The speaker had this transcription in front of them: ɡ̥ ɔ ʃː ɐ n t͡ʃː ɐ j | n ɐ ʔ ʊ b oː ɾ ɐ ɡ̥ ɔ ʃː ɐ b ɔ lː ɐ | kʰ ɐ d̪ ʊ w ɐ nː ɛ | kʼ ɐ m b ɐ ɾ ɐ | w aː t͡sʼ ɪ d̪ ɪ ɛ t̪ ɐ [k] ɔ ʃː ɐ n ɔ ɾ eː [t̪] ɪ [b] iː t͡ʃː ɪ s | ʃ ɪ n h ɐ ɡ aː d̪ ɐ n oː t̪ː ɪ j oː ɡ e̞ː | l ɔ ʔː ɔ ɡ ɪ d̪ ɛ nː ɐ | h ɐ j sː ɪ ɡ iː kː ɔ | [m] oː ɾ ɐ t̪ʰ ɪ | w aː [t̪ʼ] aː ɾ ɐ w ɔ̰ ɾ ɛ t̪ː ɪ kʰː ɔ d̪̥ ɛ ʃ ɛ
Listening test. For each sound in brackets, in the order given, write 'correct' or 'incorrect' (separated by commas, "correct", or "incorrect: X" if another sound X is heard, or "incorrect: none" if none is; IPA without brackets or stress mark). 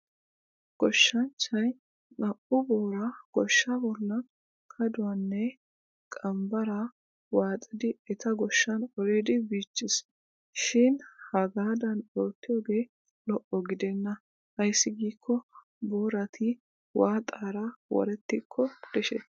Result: incorrect: ɡ, incorrect: d̪, correct, incorrect: b, correct